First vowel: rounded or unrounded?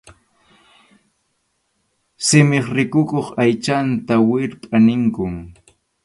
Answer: unrounded